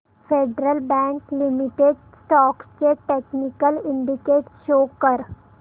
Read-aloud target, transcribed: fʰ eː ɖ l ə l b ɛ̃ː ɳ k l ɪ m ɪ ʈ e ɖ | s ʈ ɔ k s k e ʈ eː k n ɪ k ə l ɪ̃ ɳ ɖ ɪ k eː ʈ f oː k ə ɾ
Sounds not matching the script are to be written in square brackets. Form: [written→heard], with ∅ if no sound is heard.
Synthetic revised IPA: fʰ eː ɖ [l→ɾ] ə l b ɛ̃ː [ɳ→ŋ] k l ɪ m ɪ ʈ e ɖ | s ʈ [ɔ→ɔː] k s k e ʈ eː k n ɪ k ə l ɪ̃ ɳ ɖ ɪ k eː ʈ [f→ʃ] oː k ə ɾ